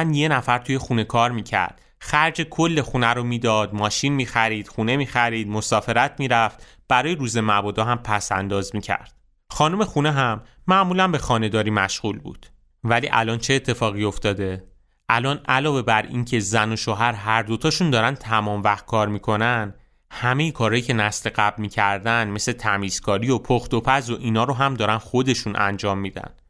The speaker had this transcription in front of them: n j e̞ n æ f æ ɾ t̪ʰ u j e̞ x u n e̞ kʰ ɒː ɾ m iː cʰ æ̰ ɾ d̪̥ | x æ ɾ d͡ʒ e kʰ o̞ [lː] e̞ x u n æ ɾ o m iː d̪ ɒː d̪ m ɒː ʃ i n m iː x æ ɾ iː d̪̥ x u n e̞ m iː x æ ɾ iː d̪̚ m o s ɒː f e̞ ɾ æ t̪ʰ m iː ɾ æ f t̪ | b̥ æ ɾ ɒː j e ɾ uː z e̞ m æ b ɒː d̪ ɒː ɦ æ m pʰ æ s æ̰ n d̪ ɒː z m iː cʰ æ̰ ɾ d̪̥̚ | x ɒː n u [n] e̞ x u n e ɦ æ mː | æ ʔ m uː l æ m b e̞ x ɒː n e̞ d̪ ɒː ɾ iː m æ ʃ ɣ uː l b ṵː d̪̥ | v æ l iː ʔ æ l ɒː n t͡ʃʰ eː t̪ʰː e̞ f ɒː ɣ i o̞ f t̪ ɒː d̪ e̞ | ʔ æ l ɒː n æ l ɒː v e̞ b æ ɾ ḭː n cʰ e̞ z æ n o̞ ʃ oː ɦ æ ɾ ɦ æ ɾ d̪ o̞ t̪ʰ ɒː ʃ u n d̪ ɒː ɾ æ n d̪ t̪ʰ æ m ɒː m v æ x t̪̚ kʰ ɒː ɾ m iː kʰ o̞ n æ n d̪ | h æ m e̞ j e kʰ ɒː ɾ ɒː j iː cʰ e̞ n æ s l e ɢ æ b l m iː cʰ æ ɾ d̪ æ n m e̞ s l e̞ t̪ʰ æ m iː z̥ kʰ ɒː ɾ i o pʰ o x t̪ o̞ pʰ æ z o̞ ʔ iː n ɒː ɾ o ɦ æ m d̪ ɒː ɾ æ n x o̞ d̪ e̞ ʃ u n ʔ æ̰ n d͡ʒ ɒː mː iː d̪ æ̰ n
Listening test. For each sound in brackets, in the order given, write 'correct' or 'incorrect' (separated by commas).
correct, incorrect